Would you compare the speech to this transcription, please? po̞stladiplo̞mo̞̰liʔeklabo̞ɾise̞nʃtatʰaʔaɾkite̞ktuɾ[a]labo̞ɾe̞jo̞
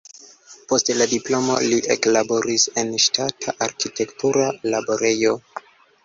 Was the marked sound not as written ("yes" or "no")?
no